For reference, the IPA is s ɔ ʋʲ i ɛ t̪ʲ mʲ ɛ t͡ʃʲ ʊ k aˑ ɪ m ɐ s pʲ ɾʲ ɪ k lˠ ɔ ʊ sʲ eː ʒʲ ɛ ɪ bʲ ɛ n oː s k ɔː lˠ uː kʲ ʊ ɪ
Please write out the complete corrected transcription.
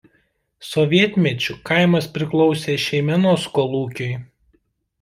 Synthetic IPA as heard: s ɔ ʋʲ i ɛ t̪ʲ mʲ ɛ t͡ʃʲ ʊ k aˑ ɪ m ɐ s pʲ ɾʲ ɪ k lˠ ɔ ʊ sʲ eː ʃʲ ɛ ɪ mʲ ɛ n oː s k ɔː lˠ uː kʲ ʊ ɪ